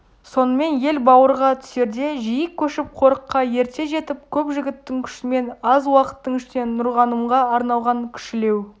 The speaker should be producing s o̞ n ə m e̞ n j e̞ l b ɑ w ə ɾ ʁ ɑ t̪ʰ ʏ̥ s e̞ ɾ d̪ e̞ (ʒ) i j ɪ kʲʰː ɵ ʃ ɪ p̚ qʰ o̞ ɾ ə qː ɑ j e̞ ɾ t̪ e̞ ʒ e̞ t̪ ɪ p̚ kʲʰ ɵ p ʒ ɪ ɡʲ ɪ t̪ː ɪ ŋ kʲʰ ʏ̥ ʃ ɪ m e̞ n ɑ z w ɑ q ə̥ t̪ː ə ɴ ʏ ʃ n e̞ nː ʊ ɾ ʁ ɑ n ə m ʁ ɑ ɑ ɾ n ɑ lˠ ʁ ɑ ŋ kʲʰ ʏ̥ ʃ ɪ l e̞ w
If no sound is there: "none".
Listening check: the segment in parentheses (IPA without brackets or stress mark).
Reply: ʒ